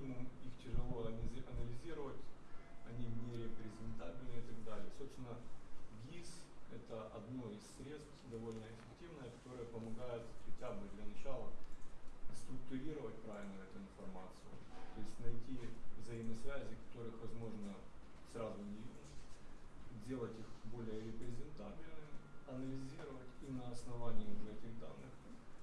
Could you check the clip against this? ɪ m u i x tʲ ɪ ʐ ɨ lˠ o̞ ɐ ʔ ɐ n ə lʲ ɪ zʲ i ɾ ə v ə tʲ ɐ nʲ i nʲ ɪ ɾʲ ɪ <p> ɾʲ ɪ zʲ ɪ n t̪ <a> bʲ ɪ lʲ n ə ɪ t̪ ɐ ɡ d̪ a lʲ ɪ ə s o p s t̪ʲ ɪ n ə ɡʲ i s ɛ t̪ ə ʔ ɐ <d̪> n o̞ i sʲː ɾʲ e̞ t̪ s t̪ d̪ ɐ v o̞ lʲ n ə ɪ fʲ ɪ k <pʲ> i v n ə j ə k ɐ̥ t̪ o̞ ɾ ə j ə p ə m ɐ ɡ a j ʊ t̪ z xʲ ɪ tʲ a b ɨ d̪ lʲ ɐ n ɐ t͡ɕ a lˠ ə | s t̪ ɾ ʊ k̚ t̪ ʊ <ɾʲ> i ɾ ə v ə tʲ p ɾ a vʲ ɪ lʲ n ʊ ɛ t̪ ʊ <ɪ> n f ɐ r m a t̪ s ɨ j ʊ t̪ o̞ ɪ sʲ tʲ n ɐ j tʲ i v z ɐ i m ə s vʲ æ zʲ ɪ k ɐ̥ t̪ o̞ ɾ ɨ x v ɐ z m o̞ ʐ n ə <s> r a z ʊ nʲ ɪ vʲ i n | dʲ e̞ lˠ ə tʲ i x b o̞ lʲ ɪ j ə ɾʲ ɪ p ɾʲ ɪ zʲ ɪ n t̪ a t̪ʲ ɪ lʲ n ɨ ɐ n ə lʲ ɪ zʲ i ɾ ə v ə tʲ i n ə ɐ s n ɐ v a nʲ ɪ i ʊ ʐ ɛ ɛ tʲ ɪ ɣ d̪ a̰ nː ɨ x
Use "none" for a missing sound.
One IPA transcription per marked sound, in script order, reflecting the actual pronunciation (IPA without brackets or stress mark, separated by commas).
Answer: p, a, d̪, tʲ, ɾʲ, ɪ, s